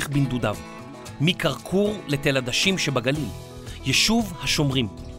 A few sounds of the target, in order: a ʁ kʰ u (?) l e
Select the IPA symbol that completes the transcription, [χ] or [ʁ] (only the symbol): ʁ